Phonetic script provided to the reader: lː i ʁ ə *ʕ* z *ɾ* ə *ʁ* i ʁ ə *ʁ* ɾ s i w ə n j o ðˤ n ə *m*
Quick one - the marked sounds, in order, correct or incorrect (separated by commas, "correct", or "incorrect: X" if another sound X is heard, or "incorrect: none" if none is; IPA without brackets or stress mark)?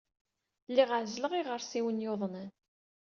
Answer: correct, incorrect: l, correct, incorrect: none, incorrect: n